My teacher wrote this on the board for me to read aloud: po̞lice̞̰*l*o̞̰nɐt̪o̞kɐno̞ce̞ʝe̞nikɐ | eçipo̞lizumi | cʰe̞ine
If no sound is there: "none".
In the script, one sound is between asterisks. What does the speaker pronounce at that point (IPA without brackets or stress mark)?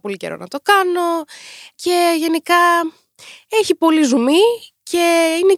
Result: ɾ